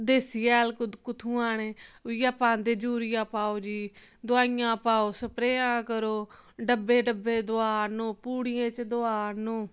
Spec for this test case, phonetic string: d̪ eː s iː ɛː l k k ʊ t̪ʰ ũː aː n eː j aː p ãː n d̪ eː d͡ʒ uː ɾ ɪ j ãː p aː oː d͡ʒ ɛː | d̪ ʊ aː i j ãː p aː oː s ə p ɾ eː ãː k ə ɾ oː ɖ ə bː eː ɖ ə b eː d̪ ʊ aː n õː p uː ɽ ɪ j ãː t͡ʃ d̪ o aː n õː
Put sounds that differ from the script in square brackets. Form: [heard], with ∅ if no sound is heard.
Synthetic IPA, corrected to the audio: d̪ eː s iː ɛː l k k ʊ t̪ʰ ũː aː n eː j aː p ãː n d̪ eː d͡ʒ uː ɾ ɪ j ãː p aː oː d͡ʒ [iː] | d̪ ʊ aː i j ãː p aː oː s ə p ɾ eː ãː k ə ɾ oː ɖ ə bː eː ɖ ə b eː d̪ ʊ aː n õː p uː ɽ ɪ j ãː t͡ʃ d̪ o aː n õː